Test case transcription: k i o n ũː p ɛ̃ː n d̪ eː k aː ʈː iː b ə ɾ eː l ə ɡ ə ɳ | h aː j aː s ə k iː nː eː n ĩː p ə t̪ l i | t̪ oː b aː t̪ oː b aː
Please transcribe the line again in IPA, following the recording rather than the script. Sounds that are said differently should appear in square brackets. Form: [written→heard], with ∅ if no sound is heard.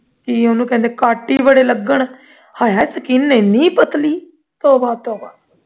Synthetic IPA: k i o n ũː [p→k] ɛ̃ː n d̪ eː k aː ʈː iː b ə [ɾ→ɽ] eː l ə ɡ ə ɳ | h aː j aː s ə k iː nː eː n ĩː p ə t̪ l [i→iː] | t̪ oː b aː t̪ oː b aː